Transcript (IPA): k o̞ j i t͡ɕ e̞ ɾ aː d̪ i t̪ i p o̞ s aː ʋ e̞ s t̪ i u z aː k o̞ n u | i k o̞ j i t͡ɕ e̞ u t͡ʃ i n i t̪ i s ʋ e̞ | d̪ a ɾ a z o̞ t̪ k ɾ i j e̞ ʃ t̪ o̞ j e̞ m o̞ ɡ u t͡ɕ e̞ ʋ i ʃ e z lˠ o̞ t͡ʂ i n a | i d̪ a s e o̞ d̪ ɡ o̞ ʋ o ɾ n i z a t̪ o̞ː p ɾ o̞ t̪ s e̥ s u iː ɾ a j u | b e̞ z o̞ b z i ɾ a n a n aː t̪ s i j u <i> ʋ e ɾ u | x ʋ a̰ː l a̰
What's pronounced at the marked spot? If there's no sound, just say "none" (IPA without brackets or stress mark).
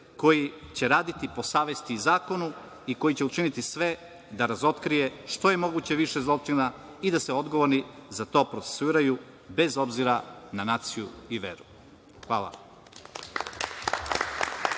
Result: i